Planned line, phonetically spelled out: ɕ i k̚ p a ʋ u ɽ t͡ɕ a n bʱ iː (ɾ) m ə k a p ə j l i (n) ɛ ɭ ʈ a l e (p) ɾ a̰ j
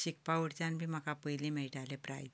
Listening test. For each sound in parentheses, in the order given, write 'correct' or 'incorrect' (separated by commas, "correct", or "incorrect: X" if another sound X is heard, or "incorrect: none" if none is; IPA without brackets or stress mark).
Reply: incorrect: none, incorrect: m, correct